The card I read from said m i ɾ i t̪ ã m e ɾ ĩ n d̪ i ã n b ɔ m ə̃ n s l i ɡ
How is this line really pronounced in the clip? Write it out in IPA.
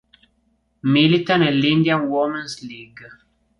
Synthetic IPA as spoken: m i l i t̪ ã n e l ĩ n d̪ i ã n w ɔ m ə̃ n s l i ɡ